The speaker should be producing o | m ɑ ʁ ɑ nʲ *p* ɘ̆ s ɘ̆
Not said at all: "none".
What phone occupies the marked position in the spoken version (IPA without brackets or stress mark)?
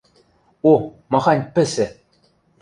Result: p